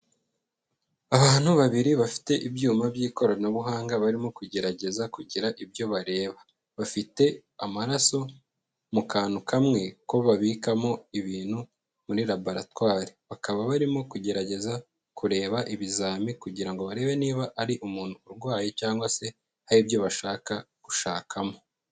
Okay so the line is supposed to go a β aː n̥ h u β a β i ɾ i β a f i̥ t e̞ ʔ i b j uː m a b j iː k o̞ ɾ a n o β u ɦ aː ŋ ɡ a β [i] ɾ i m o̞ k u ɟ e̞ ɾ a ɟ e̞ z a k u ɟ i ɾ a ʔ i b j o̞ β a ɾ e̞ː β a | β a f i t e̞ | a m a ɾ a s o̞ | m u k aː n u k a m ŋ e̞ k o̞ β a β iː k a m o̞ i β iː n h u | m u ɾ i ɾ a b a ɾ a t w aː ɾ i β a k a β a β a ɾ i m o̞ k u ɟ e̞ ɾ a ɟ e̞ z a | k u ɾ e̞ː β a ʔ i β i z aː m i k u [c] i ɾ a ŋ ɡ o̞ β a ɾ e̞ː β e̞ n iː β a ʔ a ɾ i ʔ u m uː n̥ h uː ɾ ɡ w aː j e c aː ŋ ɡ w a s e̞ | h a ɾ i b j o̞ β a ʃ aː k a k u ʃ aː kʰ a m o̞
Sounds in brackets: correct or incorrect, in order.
incorrect: a, incorrect: ɟ

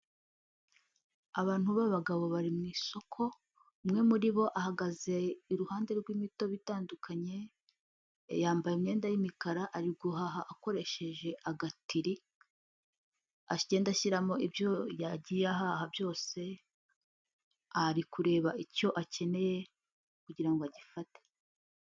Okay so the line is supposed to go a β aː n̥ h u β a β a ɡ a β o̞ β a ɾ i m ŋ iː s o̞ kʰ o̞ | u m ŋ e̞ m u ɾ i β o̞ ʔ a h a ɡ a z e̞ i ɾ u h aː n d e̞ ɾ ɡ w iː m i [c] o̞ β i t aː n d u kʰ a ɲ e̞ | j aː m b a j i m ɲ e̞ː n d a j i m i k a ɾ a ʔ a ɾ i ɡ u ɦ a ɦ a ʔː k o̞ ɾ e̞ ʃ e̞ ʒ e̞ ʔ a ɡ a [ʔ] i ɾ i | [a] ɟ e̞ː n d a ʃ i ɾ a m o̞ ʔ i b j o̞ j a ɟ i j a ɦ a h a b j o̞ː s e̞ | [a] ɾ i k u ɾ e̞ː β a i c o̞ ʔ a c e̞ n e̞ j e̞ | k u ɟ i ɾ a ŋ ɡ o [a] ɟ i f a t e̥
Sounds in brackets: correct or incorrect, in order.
incorrect: t, incorrect: t, correct, correct, correct

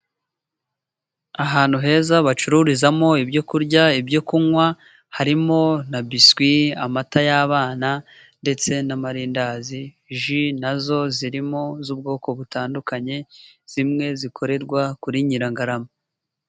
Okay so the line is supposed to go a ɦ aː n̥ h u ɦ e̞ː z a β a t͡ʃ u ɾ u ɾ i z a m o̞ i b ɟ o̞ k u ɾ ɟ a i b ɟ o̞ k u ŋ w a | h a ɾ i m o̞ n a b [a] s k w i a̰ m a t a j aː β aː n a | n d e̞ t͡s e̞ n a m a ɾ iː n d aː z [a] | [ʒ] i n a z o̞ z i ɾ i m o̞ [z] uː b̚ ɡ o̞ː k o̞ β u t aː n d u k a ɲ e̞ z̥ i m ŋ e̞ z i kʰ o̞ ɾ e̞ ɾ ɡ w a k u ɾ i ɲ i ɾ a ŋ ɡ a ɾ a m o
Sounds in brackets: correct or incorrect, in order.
incorrect: i, incorrect: i, correct, correct

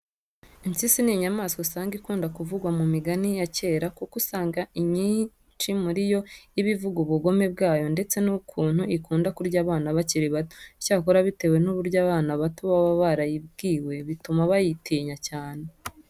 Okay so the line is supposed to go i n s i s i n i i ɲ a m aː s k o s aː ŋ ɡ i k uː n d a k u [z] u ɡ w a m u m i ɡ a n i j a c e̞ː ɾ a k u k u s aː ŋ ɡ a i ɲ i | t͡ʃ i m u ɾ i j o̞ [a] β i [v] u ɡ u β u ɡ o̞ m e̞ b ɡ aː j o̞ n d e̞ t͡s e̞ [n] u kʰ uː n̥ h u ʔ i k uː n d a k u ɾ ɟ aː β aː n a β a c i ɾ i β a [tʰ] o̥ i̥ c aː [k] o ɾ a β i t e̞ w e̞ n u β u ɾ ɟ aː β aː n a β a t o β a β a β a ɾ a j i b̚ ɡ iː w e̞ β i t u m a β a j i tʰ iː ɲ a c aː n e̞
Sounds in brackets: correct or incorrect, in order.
incorrect: v, incorrect: i, correct, correct, incorrect: t, correct

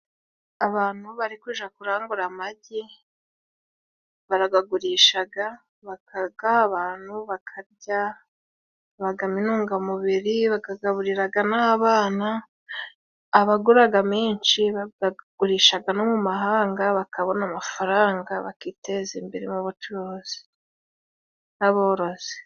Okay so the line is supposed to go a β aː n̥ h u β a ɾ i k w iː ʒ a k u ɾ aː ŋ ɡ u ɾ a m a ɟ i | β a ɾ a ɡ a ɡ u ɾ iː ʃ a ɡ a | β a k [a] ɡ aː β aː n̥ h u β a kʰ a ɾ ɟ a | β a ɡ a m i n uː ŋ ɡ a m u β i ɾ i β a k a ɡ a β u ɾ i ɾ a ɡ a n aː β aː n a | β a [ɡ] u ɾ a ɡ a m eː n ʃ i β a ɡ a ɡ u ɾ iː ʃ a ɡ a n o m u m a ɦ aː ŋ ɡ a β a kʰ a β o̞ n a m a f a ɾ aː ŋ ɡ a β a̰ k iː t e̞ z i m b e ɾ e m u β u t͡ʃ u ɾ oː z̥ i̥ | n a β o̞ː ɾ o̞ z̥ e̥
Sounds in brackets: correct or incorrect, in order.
correct, correct

